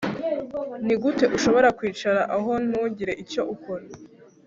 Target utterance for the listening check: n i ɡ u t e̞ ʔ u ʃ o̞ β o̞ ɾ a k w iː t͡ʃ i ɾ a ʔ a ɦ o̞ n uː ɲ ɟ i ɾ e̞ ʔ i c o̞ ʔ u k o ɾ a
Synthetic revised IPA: n i ɡ u t e̞ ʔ u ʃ o̞ β o̞ ɾ a k w iː t͡ʃ a ɾ a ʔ a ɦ o̞ n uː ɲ ɟ i ɾ e̞ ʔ i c o̞ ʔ u k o ɾ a